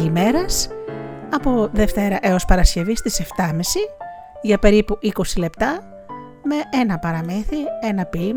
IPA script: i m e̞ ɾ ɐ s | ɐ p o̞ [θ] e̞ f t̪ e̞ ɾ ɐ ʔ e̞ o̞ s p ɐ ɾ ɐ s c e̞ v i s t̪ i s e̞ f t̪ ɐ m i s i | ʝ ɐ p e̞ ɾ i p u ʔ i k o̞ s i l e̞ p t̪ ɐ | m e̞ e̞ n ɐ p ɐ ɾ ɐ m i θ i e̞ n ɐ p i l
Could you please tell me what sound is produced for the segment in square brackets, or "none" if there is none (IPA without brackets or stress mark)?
ð